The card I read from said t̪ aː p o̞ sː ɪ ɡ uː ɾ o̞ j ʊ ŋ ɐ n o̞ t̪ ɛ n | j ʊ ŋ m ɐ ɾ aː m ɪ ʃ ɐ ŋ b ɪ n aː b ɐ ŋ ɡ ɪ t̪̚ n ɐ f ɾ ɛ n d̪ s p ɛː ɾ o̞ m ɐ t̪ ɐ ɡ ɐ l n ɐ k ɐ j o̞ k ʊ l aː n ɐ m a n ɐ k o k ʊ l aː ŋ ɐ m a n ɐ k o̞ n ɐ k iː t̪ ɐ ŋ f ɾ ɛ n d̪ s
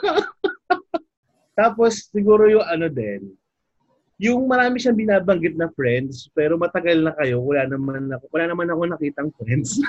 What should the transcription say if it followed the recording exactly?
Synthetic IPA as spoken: t̪ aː p o̞ sː ɪ ɡ uː ɾ o̞ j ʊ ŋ ɐ n o̞ d̪ ɛ n | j ʊ ŋ m ɐ ɾ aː m ɪ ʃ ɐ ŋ b ɪ n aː b ɐ ŋ ɡ ɪ t̪̚ n ɐ f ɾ ɛ n d̪ s p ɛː ɾ o̞ m ɐ t̪ ɐ ɡ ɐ l n ɐ k ɐ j o̞ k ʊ l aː n ɐ m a n ɐ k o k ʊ l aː n ɐ m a n ɐ k o̞ n ɐ k iː t̪ ɐ ŋ f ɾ ɛ n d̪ s